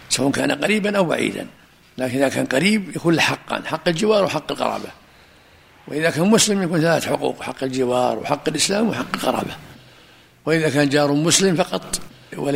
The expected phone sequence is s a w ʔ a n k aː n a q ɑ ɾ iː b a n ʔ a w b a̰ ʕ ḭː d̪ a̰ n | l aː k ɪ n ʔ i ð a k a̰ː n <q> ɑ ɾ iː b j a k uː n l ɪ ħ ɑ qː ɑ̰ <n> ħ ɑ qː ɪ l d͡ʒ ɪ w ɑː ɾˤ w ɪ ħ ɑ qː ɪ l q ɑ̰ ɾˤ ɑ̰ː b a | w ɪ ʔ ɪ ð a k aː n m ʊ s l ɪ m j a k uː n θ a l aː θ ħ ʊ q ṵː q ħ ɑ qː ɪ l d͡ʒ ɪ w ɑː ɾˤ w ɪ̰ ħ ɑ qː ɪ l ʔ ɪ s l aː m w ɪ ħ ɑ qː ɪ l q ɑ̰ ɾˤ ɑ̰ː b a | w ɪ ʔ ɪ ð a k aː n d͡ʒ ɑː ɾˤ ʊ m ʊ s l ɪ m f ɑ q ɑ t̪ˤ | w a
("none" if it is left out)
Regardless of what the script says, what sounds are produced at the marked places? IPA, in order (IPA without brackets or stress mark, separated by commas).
q, n